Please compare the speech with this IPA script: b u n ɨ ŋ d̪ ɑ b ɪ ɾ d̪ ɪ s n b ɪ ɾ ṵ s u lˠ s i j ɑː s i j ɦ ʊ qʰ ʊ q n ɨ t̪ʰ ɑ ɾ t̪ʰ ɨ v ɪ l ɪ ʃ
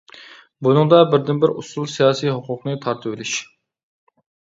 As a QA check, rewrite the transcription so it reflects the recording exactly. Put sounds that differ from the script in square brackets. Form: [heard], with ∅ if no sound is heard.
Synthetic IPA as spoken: b u n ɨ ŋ d̪ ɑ b ɪ ɾ d̪ ɪ [∅] n b ɪ ɾ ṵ s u lˠ s i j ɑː s i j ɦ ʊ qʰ ʊ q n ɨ t̪ʰ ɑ ɾ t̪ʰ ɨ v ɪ l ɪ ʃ